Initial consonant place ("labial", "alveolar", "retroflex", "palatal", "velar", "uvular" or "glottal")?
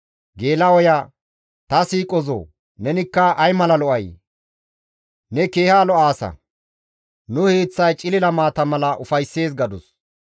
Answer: velar